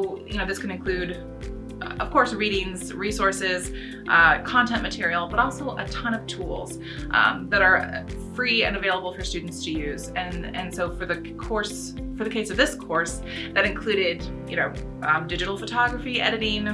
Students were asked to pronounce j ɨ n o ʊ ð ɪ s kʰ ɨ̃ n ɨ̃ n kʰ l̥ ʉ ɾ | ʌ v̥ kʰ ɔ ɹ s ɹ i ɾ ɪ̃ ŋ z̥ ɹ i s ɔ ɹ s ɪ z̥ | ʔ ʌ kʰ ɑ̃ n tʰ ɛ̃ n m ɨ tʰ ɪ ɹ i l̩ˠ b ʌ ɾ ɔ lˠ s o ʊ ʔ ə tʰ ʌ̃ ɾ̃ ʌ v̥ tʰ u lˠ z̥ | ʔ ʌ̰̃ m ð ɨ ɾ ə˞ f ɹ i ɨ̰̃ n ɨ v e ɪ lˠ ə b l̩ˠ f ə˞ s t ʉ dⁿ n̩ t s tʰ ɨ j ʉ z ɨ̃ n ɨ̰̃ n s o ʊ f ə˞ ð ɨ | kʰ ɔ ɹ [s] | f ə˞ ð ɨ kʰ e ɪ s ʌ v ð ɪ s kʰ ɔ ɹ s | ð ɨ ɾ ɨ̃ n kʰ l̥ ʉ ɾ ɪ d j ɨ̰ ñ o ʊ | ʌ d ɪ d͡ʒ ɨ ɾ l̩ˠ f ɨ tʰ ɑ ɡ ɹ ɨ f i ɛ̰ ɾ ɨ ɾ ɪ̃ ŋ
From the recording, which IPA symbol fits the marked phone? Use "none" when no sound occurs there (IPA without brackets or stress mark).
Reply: s